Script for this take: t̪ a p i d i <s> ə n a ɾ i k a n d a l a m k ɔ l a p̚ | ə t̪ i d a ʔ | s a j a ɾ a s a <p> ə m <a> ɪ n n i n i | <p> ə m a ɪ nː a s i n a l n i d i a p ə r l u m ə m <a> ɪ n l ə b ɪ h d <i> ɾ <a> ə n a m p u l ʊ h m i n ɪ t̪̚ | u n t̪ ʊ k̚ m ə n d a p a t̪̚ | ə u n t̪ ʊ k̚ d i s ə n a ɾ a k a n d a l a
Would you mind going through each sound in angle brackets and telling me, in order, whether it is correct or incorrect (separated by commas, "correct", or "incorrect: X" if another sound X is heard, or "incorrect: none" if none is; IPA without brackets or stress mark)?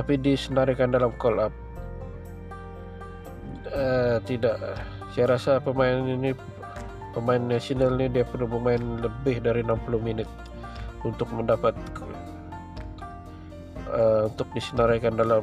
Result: correct, correct, correct, correct, correct, incorrect: a, incorrect: i